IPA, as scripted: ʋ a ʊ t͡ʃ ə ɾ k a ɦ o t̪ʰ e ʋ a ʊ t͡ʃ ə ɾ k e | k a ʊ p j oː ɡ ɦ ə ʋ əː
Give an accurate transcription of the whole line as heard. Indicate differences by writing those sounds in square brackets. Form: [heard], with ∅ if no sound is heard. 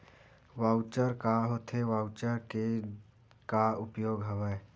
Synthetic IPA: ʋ a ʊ t͡ʃ ə ɾ k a ɦ o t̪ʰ e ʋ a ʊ t͡ʃ ə ɾ k e | k a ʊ p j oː ɡ ɦ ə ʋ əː